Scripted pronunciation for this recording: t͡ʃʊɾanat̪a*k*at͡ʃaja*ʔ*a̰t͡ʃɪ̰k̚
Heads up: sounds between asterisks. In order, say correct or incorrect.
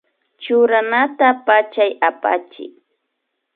incorrect: p, incorrect: p

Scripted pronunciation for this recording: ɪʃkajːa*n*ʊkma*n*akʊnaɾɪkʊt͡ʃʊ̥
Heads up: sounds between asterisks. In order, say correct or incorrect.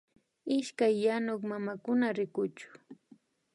correct, incorrect: m

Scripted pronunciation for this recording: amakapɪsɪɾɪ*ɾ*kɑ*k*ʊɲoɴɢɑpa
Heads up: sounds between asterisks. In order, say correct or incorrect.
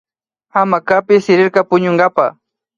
correct, incorrect: p

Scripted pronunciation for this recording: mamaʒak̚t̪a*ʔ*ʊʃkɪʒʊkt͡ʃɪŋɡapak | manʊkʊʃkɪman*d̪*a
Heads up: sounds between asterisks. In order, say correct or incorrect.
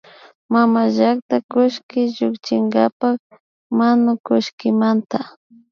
incorrect: k, incorrect: t̪

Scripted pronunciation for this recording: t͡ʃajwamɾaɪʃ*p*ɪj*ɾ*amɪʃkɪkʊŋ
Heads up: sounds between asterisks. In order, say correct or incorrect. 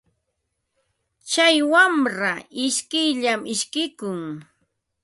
incorrect: k, incorrect: ʎ

